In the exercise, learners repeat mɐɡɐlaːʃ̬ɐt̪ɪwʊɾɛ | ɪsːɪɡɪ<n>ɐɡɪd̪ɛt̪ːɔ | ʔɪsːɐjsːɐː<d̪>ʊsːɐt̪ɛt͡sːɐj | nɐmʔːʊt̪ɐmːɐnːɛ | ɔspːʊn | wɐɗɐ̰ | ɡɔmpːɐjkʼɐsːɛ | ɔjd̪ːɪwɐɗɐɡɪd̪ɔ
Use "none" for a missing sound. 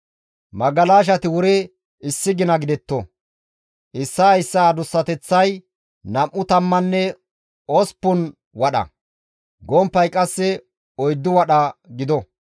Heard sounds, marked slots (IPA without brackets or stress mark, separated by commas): n, d̪